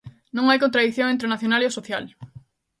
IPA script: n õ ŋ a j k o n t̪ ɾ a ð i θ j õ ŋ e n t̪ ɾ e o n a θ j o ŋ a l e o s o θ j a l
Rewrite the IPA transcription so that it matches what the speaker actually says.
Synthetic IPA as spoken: n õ ŋ a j k o n t̪ ɾ a ð i θ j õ ŋ e n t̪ ɾ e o n a θ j o n a l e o s o θ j a l